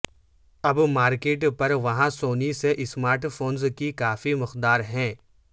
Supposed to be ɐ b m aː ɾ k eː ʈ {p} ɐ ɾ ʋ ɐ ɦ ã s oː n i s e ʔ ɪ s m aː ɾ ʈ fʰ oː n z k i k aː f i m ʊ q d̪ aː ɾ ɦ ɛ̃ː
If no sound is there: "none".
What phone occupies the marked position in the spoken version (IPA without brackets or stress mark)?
p